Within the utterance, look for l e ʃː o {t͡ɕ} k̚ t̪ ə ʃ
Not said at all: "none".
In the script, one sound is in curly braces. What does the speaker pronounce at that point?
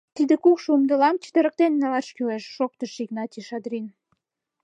none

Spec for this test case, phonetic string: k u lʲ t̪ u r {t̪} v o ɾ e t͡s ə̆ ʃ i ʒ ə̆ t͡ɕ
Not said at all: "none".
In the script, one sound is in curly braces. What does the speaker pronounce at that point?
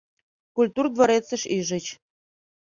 d̪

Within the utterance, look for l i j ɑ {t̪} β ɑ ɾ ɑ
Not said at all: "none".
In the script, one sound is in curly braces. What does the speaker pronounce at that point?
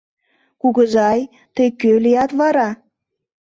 t̪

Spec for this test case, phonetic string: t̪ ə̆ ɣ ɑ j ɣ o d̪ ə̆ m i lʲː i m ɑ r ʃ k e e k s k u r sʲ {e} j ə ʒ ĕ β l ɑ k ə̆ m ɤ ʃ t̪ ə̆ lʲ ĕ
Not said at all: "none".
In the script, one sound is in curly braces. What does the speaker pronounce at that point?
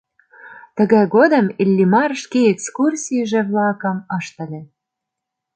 i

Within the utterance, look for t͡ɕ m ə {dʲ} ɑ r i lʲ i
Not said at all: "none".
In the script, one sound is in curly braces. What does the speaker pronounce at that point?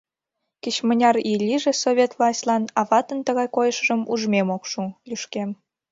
nʲ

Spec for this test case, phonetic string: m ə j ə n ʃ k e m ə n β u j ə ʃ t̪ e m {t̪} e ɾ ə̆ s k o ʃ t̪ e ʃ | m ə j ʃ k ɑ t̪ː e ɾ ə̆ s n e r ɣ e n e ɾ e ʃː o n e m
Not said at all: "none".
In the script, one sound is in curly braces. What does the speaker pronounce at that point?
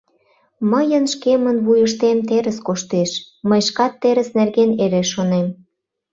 t̪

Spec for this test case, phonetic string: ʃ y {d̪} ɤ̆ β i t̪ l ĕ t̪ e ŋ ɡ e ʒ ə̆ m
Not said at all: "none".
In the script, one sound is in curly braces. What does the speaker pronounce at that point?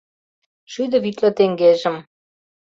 d̪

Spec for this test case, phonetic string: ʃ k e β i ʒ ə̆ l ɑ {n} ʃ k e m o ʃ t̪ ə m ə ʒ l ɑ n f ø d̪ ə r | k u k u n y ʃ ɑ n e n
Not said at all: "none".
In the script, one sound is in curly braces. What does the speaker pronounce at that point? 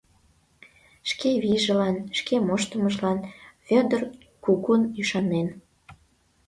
n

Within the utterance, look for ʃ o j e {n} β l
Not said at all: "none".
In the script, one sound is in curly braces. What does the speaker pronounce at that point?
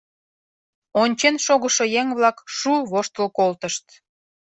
ŋ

